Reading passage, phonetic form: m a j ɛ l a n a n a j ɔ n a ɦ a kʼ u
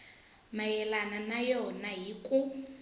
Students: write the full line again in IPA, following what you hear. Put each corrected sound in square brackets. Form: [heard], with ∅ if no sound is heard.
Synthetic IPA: m a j ɛ l a n a n a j ɔ n a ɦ [i] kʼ u